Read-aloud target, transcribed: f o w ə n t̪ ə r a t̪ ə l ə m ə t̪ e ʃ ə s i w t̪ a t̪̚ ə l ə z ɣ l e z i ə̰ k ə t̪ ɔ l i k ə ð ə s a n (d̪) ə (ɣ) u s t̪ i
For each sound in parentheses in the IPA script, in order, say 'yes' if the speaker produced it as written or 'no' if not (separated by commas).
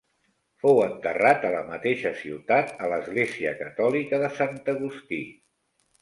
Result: no, yes